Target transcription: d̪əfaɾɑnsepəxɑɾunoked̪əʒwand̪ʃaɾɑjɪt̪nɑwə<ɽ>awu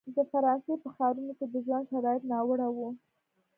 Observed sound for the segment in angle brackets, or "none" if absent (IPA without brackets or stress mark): ɽ